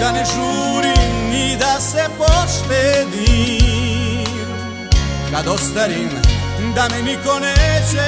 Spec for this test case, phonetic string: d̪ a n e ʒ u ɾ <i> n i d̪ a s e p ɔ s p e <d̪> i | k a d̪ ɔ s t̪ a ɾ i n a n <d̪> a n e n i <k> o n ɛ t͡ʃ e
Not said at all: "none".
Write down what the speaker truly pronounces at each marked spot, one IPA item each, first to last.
i, d̪, d̪, k

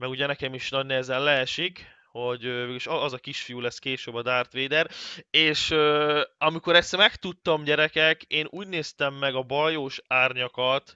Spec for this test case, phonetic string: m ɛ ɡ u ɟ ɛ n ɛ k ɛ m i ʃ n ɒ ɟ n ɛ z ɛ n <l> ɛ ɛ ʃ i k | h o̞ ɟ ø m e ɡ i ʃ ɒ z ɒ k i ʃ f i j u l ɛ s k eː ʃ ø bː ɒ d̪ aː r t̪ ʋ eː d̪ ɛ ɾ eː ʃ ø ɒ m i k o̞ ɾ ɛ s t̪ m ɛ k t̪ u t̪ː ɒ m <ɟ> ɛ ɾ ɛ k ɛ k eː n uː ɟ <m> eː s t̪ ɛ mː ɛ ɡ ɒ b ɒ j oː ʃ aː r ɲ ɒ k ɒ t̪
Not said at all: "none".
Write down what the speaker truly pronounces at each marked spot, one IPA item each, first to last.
l, ɟ, n

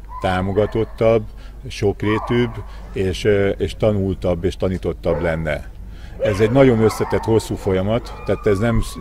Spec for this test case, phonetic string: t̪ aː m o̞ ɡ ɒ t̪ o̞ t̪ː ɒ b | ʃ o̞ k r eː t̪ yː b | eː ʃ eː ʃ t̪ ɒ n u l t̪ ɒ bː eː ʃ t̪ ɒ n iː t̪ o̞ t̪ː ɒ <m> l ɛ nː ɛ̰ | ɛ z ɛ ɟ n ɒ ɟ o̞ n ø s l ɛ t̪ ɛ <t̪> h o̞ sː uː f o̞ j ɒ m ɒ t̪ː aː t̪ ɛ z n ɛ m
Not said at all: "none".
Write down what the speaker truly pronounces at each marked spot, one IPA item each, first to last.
b, t̪

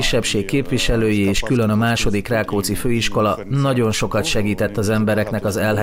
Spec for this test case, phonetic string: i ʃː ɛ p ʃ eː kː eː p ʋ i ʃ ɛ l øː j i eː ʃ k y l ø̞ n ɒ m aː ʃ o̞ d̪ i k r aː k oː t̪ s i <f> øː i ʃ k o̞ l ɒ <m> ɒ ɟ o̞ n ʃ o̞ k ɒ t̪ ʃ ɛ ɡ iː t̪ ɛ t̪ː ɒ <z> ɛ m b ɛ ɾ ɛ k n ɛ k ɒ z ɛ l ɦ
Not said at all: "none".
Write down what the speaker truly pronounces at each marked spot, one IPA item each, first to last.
f, n, z

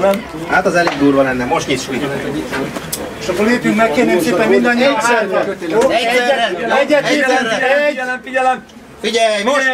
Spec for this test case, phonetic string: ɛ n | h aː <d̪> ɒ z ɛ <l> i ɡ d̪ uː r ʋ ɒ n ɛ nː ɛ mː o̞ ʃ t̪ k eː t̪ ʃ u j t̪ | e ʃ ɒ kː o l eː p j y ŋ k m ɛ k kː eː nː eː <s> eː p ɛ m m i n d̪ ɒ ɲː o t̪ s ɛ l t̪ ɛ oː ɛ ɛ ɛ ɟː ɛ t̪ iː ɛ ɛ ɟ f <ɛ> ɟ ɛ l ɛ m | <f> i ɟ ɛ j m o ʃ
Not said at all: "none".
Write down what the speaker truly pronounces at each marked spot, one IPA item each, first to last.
t̪, l, s, i, f

